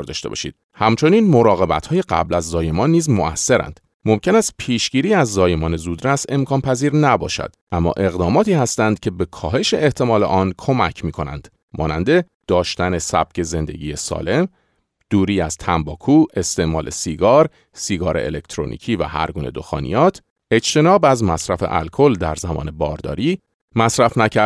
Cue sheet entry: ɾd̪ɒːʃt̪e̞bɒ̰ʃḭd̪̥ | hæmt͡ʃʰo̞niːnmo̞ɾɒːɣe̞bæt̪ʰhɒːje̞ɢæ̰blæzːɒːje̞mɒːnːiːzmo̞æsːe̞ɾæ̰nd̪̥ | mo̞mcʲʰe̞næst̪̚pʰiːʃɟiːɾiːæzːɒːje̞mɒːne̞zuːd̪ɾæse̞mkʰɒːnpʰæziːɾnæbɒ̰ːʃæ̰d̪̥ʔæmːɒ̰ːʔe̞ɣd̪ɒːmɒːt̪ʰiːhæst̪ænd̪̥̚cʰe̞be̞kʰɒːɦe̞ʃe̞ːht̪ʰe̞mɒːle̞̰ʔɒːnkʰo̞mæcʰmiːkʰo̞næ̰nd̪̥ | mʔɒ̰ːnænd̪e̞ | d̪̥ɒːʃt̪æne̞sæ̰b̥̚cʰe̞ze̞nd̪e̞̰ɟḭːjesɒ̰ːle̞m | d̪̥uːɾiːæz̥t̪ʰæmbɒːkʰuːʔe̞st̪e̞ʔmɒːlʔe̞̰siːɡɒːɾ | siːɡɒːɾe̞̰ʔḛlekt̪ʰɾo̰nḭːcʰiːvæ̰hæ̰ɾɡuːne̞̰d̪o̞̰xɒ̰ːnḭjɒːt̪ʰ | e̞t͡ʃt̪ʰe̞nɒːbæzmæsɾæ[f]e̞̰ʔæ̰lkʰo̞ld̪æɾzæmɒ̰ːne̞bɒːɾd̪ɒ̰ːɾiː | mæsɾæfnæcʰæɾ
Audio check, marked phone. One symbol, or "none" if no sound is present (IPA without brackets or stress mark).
f